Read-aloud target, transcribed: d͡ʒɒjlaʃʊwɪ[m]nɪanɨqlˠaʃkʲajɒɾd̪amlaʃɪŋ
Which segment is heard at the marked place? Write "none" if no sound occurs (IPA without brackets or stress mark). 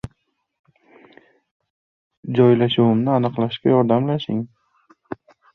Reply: m